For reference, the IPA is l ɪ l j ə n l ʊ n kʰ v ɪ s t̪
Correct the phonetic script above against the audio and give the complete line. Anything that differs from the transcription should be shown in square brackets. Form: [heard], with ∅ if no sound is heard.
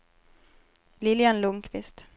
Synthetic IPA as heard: l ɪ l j [a] n l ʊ [ŋ] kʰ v ɪ s t̪